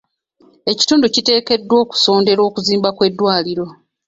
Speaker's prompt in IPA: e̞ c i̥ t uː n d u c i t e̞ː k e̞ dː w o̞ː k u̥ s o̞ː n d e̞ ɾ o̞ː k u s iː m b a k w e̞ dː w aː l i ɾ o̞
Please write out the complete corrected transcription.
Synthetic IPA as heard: e̞ c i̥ t uː n d u c i t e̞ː k e̞ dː w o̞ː k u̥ s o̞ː n d e̞ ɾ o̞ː k u z iː m b a k w e̞ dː w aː l i ɾ o̞